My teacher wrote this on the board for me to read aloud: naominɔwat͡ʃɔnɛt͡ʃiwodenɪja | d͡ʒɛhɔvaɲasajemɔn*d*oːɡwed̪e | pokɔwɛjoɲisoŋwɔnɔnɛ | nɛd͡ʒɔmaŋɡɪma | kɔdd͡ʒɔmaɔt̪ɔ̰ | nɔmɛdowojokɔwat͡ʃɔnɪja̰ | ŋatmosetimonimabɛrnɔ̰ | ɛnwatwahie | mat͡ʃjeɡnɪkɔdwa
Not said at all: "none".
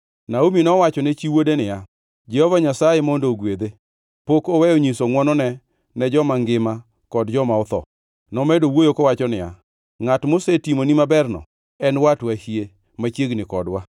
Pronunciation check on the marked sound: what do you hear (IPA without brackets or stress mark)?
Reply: d